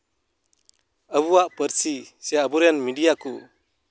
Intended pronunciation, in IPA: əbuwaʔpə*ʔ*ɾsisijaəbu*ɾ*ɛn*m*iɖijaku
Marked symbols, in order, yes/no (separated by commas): no, yes, yes